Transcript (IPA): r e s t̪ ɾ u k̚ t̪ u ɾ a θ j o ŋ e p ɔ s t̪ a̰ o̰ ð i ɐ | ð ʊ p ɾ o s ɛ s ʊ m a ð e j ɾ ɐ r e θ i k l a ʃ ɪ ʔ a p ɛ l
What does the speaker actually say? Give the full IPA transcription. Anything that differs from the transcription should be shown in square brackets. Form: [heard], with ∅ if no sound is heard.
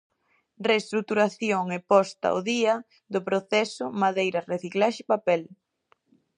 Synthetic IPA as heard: r e s t̪ ɾ u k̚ t̪ u ɾ a θ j o ŋ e p ɔ s t̪ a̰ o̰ ð i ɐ | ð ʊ p ɾ o [θ] ɛ s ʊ m a ð e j ɾ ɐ r e θ i k l a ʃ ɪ [p] a p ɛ l

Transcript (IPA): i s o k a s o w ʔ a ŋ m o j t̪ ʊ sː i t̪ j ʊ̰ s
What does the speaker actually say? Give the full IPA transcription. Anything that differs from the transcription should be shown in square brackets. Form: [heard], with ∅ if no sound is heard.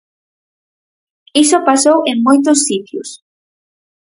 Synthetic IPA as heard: i s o [p] a s o w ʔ [e] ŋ m o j t̪ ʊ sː i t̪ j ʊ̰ s

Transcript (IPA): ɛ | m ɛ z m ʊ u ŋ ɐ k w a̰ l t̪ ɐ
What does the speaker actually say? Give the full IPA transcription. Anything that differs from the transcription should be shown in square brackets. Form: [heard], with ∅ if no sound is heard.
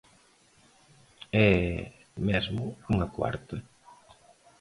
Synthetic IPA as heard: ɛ | m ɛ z m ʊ u ŋ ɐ k w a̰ [ɾ] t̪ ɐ

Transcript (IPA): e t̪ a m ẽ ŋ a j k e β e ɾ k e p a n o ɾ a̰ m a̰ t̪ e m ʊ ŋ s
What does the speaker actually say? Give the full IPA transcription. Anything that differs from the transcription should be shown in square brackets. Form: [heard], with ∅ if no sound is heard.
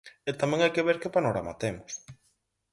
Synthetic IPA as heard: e t̪ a m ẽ ŋ a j k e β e ɾ k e p a n o ɾ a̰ m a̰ t̪ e m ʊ [∅] s

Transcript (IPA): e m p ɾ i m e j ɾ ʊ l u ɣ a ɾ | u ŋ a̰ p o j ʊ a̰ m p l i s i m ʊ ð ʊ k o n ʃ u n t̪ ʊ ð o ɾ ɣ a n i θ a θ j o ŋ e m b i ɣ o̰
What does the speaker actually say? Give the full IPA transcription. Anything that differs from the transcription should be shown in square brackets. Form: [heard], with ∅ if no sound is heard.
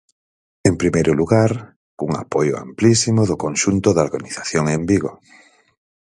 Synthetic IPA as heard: e m p ɾ i m e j ɾ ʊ l u ɣ a ɾ | u ŋ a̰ p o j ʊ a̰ m p l i s i m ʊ ð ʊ k o n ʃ u n t̪ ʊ ð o ɾ ɣ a n i θ a θ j o ŋ e m b i ɣ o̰

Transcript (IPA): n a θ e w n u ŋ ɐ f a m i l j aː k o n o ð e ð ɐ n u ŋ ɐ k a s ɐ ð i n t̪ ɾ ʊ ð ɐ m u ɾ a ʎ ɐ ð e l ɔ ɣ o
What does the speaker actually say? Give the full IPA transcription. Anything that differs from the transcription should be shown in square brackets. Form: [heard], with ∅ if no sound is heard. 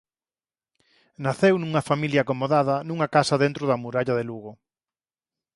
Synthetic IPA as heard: n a θ e w n u ŋ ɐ f a m i l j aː k o [m] o ð [a] ð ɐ n u ŋ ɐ k a s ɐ ð [e] n t̪ ɾ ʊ ð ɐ m u ɾ a ʎ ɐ ð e l [u] ɣ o

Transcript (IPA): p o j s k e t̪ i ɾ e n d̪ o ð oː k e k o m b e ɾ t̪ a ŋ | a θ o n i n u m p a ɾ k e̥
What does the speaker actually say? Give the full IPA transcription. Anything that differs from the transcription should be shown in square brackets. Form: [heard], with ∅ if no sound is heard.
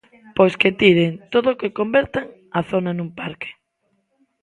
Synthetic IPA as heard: p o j s k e t̪ i ɾ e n [t̪] o ð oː k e k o m b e ɾ t̪ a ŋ | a θ o n [a] n u m p a ɾ k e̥

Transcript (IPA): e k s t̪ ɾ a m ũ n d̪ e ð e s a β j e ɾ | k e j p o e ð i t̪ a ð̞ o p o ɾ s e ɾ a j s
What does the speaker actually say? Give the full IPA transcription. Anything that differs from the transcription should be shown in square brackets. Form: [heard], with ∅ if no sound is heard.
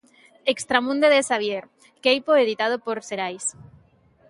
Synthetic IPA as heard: e k s t̪ ɾ a m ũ n d̪ e ð e s a β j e ɾ | k e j p o e ð i t̪ a ð̞ o p o ɾ s e ɾ a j s

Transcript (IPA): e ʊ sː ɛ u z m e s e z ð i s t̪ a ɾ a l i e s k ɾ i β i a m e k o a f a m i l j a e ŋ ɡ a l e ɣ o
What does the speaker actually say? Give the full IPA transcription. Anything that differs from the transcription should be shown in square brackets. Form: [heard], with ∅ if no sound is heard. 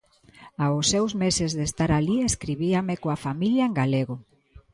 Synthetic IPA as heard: [a] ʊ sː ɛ [w] z m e s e z ð [e] s t̪ a ɾ a l i e s k ɾ i β i a m e k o a f a m i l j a e ŋ ɡ a l e ɣ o

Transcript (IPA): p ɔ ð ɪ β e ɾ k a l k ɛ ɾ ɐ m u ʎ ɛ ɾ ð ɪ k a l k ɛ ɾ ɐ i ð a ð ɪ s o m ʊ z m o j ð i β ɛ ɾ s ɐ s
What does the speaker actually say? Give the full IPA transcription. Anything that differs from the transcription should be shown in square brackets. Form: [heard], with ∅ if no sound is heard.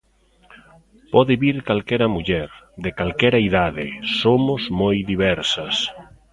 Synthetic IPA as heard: p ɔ ð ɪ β [i] ɾ k a l k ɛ ɾ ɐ m u ʎ ɛ ɾ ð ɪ k a l k ɛ ɾ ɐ i ð a ð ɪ s o m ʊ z m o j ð i β ɛ ɾ s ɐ s

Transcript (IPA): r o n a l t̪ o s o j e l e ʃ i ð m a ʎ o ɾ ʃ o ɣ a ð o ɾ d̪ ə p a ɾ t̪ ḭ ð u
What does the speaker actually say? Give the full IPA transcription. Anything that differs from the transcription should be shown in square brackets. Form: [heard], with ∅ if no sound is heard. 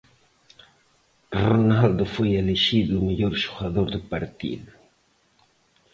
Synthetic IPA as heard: r o n a l [d̪] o [f] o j e l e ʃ i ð m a ʎ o ɾ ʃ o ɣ a ð o ɾ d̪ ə p a ɾ t̪ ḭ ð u

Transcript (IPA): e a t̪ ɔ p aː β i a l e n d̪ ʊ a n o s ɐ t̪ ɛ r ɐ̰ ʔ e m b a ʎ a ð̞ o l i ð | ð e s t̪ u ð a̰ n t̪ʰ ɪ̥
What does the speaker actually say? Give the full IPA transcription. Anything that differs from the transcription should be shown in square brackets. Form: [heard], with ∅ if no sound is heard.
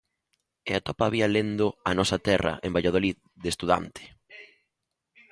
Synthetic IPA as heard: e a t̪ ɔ p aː β i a l e n d̪ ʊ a n [ɔ] s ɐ t̪ ɛ r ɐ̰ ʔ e m b a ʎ a ð̞ o l i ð | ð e s t̪ u ð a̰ n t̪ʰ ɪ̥

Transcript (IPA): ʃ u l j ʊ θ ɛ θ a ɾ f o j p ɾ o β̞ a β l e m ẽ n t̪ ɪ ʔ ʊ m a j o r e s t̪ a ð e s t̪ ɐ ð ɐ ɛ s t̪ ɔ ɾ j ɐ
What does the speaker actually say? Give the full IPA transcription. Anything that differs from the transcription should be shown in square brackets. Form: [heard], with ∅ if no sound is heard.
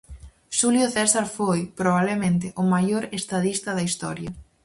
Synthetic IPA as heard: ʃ u l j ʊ θ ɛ [s] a ɾ f o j p ɾ o β̞ a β l e m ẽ n t̪ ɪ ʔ ʊ m a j o [ɾ] e s t̪ a ð [i] s t̪ ɐ ð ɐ [i] s t̪ ɔ ɾ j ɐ

